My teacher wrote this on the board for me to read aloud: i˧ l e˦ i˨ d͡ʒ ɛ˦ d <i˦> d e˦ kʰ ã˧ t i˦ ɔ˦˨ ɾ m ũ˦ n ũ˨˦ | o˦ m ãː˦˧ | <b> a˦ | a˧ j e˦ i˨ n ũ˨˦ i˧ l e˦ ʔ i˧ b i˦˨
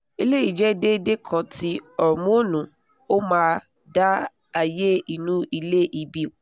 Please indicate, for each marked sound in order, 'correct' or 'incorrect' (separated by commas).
incorrect, incorrect